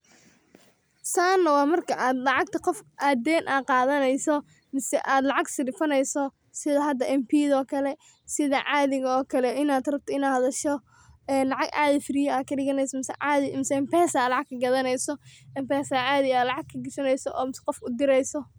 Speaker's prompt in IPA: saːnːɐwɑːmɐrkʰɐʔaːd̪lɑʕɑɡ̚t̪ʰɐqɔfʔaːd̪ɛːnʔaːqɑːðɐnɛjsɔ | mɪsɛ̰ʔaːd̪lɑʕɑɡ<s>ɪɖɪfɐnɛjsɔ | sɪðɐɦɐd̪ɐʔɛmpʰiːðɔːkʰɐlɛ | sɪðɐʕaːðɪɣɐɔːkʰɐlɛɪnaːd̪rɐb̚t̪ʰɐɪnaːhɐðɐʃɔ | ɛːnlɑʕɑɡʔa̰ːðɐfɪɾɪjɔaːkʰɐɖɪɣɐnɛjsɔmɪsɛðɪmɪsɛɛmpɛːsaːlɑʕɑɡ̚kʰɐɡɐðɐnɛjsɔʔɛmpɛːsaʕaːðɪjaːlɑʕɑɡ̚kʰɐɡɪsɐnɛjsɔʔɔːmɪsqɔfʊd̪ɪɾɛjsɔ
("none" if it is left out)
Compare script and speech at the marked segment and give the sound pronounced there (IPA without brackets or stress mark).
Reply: s